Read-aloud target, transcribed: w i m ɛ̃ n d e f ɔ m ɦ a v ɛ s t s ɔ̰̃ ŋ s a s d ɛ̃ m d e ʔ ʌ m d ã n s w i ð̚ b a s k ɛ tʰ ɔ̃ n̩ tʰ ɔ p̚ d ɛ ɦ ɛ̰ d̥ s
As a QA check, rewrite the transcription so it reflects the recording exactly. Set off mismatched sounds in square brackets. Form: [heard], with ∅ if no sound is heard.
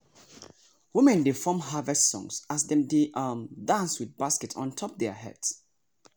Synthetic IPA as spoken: w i m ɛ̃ n d e f ɔ m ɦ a v ɛ s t s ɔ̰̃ ŋ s a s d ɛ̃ m d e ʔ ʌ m d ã n s w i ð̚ b a s k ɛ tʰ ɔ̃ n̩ tʰ ɔ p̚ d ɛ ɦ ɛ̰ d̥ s